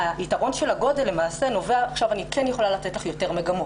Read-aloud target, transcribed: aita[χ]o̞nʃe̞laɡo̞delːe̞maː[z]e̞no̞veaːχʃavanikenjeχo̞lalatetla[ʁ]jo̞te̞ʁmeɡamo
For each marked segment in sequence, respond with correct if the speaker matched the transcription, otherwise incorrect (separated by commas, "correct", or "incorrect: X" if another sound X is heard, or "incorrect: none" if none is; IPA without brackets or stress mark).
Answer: incorrect: ʁ, incorrect: s, incorrect: χ